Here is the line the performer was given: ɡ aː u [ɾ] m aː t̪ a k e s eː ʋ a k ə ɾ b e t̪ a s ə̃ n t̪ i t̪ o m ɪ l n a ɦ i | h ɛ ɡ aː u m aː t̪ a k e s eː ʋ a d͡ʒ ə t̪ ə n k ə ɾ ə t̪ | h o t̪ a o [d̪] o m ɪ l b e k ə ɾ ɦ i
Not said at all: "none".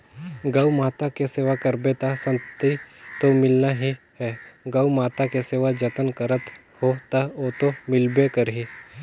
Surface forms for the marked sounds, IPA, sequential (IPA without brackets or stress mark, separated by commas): none, t̪